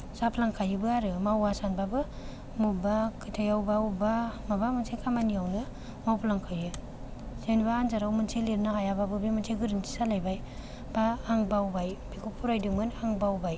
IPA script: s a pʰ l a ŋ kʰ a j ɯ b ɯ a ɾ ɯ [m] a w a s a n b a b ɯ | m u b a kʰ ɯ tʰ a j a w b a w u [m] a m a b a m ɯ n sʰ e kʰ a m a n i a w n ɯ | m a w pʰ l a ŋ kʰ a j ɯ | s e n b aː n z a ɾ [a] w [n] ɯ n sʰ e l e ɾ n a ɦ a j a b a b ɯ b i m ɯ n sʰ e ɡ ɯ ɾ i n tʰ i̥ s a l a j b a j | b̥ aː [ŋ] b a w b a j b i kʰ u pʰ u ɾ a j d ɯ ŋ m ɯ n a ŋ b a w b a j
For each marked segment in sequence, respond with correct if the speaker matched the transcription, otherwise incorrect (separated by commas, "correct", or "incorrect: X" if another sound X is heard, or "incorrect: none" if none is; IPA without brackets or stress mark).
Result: correct, incorrect: b, correct, incorrect: m, correct